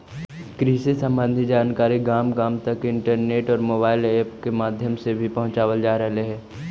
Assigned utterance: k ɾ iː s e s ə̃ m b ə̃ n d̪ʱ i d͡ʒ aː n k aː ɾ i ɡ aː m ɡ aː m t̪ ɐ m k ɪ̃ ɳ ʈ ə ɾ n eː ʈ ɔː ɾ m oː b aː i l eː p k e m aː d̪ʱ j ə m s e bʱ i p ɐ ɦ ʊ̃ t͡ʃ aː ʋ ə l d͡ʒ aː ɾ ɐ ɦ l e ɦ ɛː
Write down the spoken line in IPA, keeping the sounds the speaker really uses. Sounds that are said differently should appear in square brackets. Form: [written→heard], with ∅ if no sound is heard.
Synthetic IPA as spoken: k ɾ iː s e s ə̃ m b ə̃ n d̪ʱ i d͡ʒ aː n k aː ɾ i ɡ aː m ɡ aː m t̪ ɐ [m→∅] k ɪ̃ ɳ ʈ ə ɾ n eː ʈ ɔː ɾ m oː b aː [i→ɪ] l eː p k e m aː d̪ʱ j ə m s e bʱ i p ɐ ɦ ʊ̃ t͡ʃ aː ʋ ə l d͡ʒ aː ɾ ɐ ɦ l e ɦ ɛː